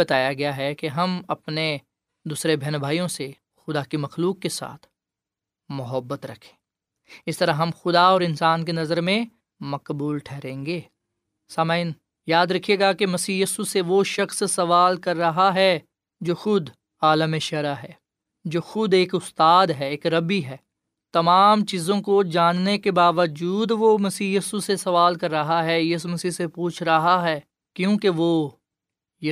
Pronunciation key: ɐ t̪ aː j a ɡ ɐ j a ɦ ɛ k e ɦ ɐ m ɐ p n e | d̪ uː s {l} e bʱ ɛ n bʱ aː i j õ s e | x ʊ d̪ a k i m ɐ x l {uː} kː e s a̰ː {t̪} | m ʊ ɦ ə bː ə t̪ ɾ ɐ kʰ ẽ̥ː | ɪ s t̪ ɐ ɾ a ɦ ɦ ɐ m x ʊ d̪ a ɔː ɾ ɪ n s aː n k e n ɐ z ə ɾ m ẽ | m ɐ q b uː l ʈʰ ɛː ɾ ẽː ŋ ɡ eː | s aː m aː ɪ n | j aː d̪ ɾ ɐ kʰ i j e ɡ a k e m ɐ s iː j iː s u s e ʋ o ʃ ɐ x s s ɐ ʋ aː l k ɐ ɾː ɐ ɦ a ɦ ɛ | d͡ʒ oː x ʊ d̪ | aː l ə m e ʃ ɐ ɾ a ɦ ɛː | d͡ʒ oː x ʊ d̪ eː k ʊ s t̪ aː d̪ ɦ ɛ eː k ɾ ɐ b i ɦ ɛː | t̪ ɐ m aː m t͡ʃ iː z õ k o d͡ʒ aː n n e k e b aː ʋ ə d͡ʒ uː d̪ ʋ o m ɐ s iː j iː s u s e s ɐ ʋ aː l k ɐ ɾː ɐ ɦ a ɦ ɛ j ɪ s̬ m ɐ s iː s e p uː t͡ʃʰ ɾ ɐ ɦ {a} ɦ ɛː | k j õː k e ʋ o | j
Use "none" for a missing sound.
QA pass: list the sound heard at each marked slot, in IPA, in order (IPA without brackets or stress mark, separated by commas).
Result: ɾ, uː, t̪ʰ, a